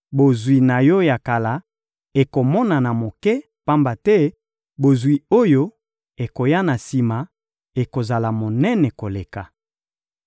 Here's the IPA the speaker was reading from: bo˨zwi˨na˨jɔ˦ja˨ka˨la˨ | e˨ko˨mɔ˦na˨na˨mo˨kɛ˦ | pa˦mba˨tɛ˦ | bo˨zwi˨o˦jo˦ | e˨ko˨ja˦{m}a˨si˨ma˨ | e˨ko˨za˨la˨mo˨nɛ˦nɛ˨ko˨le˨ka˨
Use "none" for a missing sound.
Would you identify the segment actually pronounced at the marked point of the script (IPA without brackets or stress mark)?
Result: n